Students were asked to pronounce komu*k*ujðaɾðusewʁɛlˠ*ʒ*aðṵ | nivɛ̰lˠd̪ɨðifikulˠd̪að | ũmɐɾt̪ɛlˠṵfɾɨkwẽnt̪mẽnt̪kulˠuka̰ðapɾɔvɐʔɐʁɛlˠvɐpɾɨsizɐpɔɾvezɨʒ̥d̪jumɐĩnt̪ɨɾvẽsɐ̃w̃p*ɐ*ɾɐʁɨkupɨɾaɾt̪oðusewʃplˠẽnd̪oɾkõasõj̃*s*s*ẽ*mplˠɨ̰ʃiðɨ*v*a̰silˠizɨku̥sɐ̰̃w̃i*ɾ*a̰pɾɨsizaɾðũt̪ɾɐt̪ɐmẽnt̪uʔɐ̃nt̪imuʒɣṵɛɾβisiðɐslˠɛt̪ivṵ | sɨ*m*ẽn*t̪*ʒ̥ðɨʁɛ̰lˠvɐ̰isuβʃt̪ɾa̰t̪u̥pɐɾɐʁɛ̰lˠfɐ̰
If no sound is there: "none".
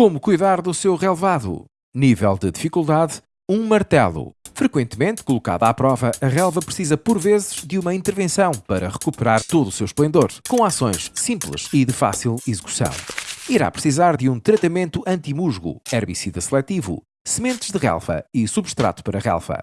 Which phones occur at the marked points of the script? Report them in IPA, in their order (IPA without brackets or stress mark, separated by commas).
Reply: k, v, ɐ, ʃ, ĩ, f, ɾ, m, t̪